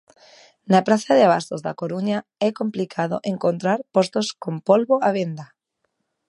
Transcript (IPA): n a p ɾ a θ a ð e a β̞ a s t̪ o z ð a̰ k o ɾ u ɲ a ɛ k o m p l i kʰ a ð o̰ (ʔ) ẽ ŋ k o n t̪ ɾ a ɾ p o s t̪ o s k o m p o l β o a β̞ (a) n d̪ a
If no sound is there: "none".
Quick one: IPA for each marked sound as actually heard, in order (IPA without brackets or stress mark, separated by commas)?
ʔ, e